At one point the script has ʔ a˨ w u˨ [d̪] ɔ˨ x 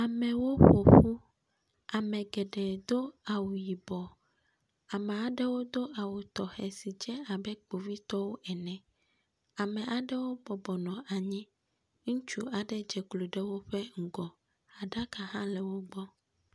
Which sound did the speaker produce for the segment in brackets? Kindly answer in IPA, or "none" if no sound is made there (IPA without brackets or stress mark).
t̪